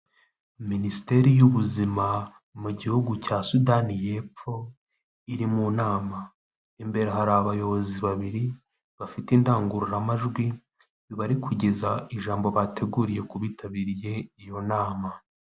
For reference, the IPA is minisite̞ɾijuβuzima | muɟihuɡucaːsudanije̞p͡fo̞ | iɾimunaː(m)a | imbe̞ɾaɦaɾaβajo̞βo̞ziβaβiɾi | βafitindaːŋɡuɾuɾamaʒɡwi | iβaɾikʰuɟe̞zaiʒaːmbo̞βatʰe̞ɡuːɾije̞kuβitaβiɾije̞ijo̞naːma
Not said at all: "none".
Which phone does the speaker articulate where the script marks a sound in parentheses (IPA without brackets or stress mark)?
m